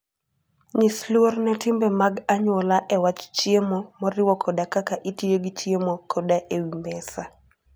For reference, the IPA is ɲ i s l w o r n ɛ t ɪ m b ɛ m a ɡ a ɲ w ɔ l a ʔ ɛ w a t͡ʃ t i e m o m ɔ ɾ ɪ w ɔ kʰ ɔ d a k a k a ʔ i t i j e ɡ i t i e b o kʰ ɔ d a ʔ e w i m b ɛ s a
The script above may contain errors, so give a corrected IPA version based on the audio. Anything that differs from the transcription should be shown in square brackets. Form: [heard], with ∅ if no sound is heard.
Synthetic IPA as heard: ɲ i s l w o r n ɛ t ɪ m b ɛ m a ɡ a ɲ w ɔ l a ʔ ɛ w a t͡ʃ [t͡ʃ] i e m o m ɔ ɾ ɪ w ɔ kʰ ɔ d a k a k a ʔ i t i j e ɡ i [t͡ʃ] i e [m] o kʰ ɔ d a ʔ e w i m b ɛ s a